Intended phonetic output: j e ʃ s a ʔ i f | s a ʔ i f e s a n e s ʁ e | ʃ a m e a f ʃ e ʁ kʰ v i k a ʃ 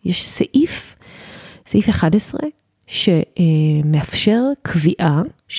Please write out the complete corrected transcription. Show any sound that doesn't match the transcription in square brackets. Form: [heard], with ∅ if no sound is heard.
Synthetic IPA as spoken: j e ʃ s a ʔ i f | s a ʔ i f e [χ] a [d] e s ʁ e | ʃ [e] m e a f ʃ e ʁ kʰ v i [ʔ] a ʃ